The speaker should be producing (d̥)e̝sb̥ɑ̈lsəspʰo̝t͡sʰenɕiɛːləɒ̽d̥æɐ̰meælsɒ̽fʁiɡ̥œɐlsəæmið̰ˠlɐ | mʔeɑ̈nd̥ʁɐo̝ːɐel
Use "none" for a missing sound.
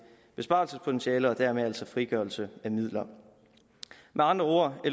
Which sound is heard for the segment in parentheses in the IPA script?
b̥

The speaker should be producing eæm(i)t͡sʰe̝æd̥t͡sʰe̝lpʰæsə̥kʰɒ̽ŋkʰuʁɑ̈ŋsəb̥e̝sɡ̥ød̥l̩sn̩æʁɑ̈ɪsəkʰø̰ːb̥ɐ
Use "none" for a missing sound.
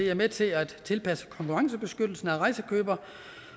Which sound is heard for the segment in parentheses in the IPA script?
e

